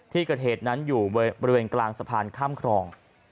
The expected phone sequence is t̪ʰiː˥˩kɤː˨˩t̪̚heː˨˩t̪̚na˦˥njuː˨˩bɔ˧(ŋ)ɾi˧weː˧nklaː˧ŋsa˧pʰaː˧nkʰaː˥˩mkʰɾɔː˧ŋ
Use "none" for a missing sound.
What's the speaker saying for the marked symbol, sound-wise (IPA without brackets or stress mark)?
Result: none